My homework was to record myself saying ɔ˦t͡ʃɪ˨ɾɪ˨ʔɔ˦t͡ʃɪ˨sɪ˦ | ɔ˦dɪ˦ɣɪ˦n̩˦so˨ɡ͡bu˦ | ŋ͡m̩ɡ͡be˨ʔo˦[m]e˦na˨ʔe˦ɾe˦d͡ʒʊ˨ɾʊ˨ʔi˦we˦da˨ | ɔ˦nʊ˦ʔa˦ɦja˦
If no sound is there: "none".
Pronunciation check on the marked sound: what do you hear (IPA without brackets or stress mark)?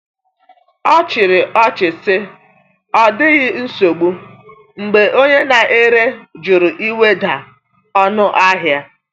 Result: ɲ